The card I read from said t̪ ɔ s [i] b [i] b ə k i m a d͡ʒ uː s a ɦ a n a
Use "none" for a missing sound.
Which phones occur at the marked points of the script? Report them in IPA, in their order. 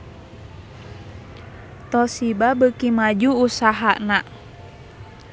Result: i, a

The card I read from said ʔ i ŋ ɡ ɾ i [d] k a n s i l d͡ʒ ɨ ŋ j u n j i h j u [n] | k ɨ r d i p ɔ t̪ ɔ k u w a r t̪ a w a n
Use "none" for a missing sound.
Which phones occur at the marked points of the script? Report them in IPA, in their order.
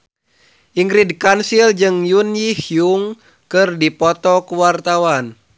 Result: d, ŋ

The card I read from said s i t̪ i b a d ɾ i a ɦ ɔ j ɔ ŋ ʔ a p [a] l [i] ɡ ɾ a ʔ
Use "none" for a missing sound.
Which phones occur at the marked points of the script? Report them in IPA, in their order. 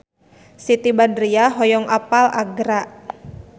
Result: a, a

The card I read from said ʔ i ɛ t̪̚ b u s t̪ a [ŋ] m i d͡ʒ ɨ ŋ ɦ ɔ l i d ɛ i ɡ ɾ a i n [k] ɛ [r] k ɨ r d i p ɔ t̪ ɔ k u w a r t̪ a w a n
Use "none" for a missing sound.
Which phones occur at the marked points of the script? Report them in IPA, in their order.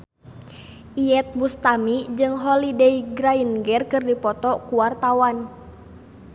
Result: none, ɡ, r

